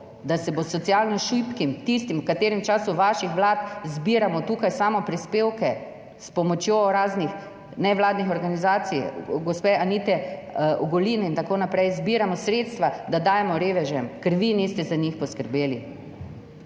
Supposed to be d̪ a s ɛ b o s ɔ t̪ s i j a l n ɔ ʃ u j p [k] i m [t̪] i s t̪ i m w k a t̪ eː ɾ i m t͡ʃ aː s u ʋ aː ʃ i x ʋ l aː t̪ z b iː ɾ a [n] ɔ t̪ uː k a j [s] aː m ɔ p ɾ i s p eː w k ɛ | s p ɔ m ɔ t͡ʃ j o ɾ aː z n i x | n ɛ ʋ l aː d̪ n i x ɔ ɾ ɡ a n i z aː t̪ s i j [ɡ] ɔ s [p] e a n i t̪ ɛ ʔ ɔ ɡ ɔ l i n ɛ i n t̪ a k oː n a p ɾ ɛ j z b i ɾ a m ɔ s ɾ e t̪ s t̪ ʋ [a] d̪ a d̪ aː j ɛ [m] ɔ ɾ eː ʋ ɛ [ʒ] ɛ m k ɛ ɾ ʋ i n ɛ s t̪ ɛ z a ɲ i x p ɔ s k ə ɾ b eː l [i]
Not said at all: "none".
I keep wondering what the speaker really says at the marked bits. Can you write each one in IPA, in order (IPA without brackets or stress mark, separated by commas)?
k, t̪, m, s, ɡ, p, a, m, ʒ, i